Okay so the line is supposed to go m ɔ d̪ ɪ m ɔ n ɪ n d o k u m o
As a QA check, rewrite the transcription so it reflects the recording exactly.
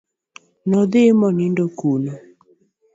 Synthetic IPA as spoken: n ɔ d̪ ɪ m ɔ n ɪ n d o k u n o